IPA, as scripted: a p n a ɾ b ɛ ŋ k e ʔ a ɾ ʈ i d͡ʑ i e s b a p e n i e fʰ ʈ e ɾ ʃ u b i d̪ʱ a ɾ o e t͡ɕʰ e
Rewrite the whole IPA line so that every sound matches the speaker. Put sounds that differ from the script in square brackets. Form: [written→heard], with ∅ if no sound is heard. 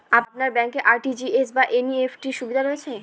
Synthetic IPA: a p n a ɾ b ɛ ŋ k e ʔ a ɾ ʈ i d͡ʑ i e s b a [p→ʔ] e n i e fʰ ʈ [e→i] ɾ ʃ u b i d̪ʱ a ɾ o e t͡ɕʰ e